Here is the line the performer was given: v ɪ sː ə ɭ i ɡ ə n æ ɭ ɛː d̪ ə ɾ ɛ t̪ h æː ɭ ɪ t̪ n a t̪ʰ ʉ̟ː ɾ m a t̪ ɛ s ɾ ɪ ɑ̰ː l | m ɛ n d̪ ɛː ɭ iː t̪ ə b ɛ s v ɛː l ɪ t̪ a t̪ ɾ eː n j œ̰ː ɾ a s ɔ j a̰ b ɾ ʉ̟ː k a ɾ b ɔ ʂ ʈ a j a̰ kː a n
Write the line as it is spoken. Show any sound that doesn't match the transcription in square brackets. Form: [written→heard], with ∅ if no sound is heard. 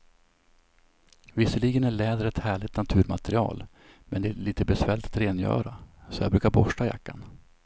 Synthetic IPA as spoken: v ɪ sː ə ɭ i ɡ ə n æ ɭ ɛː d̪ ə ɾ ɛ t̪ h æː ɭ ɪ t̪ n a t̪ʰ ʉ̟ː ɾ m a t̪ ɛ [s→∅] ɾ ɪ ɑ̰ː l | m ɛ n d̪ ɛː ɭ iː t̪ ə b ɛ s v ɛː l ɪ t̪ a t̪ ɾ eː n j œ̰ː ɾ a s ɔ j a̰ b ɾ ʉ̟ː k a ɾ b ɔ ʂ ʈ a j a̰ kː a n